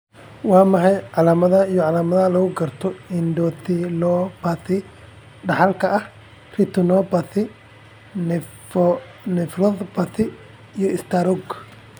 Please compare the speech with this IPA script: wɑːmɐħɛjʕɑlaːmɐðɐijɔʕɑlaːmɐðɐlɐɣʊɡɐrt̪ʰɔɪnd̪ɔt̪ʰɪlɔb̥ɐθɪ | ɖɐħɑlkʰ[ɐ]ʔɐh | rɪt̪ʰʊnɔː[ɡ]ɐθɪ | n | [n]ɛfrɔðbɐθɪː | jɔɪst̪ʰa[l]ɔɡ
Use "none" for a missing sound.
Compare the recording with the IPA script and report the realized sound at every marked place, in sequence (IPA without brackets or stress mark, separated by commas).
ɐ, b, n, ɾ